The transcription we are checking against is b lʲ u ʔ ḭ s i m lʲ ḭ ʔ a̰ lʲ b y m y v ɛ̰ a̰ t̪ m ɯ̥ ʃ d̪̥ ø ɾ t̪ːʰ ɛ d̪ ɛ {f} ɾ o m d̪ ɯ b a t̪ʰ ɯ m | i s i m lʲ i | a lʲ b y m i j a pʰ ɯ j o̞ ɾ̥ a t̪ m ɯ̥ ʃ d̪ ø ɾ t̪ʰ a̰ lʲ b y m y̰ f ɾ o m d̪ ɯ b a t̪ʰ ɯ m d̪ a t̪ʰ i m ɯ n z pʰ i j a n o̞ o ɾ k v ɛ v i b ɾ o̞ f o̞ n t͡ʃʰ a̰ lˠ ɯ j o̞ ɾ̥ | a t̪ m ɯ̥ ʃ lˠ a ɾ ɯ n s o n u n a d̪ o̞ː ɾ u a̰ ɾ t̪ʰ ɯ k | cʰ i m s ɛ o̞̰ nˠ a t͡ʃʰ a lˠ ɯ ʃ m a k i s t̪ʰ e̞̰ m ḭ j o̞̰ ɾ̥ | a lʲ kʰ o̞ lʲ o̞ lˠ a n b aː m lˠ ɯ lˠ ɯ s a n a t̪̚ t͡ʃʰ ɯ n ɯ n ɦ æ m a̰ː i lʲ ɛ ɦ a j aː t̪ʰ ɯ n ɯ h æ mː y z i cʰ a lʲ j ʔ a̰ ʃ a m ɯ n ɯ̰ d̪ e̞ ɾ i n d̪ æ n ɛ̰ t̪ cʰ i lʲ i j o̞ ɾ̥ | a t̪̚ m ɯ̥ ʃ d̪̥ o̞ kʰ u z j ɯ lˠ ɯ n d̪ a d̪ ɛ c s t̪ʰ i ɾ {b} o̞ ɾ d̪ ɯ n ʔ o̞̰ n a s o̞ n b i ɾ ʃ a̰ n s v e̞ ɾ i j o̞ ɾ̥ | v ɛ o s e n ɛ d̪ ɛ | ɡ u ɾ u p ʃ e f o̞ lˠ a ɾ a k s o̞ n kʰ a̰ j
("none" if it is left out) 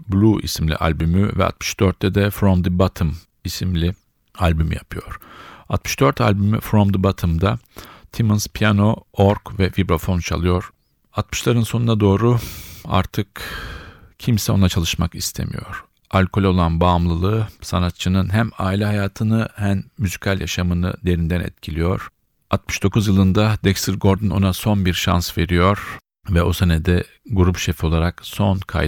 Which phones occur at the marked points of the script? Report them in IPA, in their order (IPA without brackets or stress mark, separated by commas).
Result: f, ɡ